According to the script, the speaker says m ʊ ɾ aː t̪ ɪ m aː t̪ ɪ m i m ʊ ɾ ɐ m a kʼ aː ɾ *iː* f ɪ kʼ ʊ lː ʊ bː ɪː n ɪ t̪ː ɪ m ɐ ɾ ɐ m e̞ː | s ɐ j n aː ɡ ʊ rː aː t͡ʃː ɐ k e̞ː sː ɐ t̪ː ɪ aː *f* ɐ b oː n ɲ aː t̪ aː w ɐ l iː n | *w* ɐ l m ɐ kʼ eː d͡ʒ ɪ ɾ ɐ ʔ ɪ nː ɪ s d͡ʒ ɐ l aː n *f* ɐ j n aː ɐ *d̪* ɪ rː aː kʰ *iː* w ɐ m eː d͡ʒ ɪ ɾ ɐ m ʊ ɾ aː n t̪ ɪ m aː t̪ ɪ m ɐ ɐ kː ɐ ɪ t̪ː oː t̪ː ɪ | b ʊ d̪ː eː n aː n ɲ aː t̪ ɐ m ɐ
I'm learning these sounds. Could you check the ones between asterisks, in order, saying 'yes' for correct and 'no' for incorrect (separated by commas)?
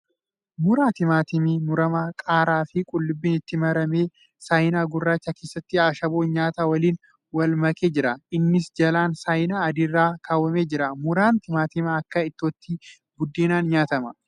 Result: no, no, yes, no, yes, no